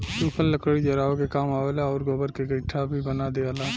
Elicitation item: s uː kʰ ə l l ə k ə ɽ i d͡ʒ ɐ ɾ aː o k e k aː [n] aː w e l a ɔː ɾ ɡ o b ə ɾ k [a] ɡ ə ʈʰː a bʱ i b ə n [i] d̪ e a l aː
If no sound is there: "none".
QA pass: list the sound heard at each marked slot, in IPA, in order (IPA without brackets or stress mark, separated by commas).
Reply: m, e, a